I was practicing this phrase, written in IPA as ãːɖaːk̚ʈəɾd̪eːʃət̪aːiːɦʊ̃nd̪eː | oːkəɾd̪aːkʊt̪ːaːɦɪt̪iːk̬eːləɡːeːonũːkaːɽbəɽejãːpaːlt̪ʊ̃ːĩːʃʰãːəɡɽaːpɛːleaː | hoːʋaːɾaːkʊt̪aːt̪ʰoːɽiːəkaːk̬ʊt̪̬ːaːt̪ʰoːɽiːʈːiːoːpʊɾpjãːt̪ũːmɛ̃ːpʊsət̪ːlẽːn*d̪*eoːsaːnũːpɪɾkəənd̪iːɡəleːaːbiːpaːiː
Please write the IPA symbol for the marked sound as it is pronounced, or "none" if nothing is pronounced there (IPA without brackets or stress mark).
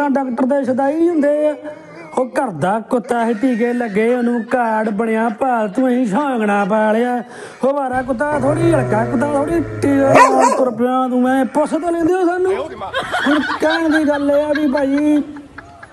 d̪